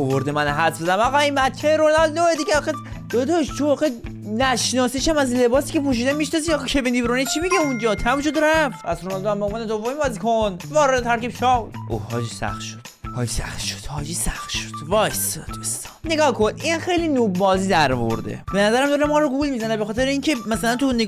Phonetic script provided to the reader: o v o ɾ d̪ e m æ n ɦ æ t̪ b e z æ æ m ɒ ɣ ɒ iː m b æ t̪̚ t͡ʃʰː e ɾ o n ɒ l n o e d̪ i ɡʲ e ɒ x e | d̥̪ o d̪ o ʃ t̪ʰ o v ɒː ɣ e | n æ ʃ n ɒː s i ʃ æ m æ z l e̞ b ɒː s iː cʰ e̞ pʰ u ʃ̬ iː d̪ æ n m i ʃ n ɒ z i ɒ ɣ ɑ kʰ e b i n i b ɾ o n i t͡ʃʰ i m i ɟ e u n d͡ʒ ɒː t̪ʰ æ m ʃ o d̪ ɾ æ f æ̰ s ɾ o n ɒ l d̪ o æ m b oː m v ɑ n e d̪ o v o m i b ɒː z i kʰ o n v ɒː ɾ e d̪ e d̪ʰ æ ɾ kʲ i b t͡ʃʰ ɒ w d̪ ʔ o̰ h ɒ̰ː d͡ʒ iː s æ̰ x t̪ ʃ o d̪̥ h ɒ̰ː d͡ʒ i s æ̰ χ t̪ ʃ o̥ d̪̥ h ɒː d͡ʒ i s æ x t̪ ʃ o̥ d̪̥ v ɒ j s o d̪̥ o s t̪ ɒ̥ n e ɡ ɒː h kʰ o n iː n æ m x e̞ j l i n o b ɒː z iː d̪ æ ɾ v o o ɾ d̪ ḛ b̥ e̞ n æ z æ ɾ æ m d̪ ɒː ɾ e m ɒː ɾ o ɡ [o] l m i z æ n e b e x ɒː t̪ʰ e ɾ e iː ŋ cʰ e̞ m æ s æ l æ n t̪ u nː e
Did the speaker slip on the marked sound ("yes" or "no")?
yes